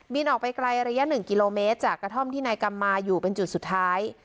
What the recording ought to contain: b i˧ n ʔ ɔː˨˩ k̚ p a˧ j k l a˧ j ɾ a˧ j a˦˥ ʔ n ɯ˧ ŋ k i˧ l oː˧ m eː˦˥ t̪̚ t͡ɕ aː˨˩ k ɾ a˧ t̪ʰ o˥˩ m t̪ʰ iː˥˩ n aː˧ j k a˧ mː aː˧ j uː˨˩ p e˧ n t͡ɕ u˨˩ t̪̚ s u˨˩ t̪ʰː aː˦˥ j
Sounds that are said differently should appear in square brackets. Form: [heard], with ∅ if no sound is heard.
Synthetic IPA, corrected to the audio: b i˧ n ʔ ɔː˨˩ k̚ p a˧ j k l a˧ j ɾ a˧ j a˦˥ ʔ n [ɯ˨˩] ŋ k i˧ l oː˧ m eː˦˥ t̪̚ t͡ɕ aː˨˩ k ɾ a˧ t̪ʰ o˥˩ m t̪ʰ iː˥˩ n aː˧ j k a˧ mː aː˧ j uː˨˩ p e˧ n t͡ɕ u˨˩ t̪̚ s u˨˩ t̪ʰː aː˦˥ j